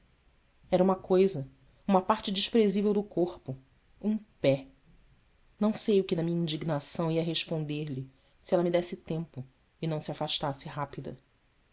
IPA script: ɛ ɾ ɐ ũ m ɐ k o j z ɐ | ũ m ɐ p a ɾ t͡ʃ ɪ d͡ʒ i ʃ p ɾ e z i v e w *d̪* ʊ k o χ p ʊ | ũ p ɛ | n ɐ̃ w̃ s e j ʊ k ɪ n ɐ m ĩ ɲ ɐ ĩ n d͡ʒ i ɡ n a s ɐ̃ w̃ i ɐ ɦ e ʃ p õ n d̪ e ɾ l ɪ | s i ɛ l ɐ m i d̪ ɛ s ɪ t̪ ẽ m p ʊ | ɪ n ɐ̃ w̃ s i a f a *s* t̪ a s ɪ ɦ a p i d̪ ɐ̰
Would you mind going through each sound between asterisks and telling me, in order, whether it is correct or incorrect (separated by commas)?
correct, incorrect